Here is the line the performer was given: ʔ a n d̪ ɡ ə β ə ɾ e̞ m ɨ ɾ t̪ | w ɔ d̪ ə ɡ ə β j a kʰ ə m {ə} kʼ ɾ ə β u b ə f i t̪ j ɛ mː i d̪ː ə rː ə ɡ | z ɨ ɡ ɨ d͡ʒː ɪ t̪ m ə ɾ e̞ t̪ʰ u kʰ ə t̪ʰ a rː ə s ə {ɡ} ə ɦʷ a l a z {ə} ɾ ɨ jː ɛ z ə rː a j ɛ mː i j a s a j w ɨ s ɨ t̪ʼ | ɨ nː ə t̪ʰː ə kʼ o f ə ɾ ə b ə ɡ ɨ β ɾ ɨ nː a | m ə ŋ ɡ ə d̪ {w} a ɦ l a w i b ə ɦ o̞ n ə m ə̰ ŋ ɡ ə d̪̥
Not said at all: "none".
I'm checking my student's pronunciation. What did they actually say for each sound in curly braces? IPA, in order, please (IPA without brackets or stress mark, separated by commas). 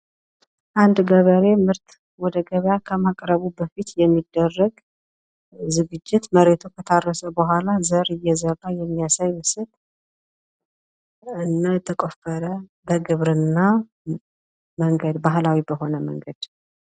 a, b, ə, b